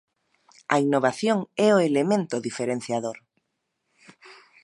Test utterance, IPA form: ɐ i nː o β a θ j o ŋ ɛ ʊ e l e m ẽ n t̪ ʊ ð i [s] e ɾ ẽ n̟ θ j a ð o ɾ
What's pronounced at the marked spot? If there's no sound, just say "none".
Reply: f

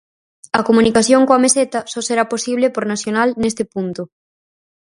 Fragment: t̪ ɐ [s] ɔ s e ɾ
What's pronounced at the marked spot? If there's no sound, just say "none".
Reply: s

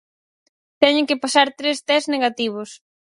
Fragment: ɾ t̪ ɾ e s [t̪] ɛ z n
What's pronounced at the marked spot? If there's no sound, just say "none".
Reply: t̪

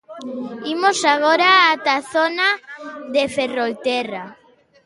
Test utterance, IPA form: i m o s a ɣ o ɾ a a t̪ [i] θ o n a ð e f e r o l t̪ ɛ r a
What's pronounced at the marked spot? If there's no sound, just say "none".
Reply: a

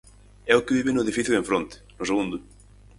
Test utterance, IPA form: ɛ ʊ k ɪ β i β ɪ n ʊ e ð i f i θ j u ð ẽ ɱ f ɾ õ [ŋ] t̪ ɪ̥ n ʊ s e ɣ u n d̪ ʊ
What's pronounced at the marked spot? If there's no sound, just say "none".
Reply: n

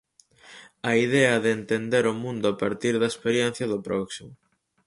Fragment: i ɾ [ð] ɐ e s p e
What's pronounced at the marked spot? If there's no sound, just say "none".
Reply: ð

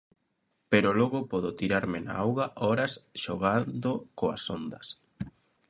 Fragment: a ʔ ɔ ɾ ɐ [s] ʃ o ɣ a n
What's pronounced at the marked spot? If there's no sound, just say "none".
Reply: s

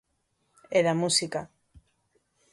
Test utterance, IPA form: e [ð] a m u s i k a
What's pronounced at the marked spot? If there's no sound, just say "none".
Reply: ð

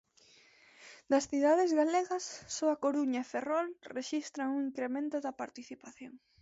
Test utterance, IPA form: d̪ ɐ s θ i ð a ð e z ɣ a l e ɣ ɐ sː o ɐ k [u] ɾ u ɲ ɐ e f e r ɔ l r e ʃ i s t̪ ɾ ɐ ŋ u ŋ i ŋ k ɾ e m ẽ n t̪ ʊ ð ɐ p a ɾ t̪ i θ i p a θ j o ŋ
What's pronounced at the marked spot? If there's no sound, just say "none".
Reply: o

